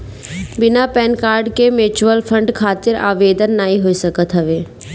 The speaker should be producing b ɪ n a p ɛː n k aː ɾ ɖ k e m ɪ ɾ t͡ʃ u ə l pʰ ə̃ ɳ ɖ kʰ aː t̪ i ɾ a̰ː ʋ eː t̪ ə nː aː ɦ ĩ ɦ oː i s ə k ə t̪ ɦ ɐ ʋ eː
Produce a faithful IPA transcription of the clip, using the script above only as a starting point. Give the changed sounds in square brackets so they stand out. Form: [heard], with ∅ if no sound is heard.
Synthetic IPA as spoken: b ɪ n a p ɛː n k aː ɾ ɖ k e m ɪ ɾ t͡ʃ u ə l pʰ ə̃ ɳ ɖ kʰ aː t̪ [ɪ] ɾ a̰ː ʋ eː [d̪] ə nː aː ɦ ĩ ɦ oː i s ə k ə t̪ ɦ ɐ ʋ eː